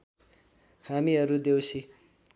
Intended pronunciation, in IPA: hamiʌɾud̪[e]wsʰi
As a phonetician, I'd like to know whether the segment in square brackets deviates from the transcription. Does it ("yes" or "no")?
no